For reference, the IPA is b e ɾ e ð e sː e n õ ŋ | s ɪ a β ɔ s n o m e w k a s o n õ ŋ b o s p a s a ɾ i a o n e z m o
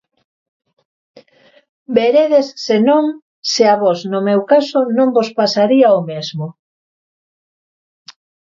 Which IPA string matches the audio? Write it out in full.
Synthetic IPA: b e ɾ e ð e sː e n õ ŋ | s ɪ a β ɔ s n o m e w k a s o n õ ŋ b o s p a s a ɾ i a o m e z m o